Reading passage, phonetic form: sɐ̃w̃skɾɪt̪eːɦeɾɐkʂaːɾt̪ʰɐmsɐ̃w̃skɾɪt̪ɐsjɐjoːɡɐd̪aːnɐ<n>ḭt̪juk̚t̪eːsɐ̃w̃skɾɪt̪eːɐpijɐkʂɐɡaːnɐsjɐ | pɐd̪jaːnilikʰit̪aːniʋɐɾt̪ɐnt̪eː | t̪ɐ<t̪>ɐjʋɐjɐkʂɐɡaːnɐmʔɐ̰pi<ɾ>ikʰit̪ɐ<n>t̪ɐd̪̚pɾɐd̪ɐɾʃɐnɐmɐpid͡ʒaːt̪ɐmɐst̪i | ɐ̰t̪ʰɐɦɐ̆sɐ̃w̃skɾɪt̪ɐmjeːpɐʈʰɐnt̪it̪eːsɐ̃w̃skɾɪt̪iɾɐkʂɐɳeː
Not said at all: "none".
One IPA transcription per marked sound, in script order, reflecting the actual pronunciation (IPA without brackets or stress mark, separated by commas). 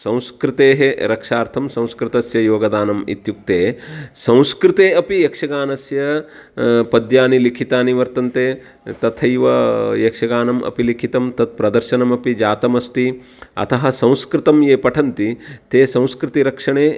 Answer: m, t̪ʰ, l, m